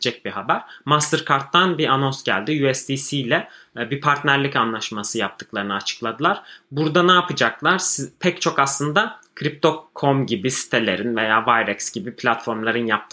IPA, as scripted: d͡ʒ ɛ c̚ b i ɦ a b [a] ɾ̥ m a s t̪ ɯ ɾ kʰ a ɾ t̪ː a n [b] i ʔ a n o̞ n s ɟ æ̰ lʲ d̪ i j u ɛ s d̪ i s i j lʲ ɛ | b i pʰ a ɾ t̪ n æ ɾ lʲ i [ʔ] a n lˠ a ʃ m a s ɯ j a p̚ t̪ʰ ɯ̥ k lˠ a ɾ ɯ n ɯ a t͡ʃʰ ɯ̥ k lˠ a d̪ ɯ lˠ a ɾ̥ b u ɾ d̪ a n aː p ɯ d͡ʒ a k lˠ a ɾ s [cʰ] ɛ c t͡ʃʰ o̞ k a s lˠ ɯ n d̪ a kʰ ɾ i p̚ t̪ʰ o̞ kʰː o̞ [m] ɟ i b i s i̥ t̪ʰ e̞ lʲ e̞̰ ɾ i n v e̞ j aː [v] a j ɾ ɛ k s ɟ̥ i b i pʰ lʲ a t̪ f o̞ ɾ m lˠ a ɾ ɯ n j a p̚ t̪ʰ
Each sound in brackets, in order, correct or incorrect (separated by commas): incorrect, correct, incorrect, incorrect, correct, correct